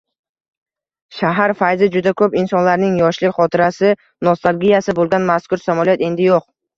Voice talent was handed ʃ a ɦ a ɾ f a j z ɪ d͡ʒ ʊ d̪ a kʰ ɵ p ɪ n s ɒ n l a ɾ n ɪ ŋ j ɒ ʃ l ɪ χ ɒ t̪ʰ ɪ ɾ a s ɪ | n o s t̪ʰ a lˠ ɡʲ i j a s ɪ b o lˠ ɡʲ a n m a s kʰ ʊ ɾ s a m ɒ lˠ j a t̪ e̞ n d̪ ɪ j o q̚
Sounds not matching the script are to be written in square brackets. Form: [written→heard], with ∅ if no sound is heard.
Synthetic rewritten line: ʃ a ɦ a ɾ f a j z ɪ d͡ʒ ʊ d̪ a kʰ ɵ p ɪ n s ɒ n l a ɾ n ɪ ŋ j ɒ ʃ l ɪ χ ɒ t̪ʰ ɪ ɾ a s ɪ | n o s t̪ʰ a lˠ ɡʲ i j a s ɪ b o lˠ ɡʲ a n m a s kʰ ʊ ɾ s a m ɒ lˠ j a t̪ e̞ n d̪ ɪ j o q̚